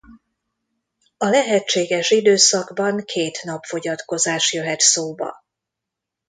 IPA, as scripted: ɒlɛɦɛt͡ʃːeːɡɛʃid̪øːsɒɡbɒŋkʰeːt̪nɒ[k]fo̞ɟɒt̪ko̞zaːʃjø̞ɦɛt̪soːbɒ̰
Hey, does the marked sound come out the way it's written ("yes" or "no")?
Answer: no